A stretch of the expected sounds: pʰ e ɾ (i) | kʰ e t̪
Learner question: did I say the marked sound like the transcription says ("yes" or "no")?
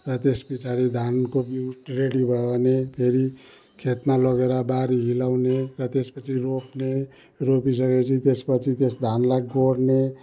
yes